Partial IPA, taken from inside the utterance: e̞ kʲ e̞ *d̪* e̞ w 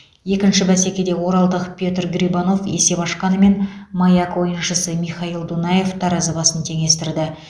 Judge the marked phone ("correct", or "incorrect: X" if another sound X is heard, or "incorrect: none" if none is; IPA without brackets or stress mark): correct